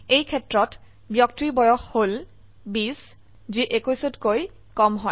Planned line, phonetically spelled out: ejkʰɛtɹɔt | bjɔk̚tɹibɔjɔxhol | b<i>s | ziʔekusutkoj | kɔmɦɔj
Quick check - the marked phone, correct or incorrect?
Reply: correct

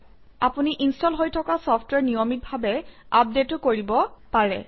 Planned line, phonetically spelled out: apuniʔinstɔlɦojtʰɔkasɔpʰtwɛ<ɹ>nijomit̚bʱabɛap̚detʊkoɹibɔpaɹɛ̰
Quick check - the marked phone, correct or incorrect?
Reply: correct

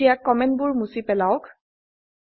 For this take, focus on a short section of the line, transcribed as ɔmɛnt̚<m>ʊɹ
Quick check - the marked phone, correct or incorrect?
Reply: incorrect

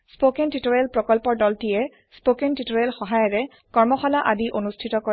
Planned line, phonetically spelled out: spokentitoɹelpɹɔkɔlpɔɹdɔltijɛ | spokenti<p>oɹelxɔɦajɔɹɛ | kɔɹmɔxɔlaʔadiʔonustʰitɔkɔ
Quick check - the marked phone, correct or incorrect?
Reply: incorrect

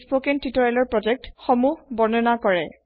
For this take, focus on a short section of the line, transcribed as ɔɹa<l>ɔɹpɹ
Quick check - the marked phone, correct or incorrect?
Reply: correct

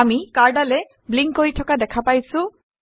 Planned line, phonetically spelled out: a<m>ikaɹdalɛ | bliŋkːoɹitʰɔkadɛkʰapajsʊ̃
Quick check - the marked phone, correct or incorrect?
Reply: correct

